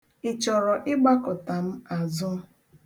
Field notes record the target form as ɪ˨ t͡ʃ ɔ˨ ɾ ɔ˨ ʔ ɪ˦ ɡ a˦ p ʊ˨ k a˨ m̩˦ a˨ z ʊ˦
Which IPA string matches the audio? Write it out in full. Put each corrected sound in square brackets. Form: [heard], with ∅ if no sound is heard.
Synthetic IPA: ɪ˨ t͡ʃ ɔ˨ ɾ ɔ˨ ʔ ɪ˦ [ɡ͡b] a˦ [k] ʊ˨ [t] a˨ m̩˦ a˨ z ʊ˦